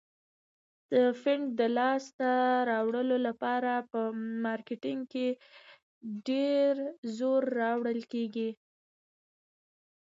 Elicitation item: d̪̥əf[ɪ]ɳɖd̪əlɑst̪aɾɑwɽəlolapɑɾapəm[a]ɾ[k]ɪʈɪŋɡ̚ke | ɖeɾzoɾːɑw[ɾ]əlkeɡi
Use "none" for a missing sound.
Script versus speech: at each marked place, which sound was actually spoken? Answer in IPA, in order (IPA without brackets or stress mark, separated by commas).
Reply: ɪ, ɑ, k, ɽ